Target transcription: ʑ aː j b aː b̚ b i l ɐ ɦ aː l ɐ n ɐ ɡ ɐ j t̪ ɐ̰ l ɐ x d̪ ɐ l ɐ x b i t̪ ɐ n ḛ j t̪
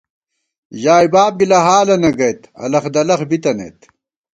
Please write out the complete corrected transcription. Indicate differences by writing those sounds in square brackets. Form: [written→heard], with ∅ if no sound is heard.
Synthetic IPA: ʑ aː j b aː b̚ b i l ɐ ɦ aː l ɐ n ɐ ɡ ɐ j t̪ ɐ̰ l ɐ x d̪ ɐ l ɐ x b i t̪ ɐ n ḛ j t̪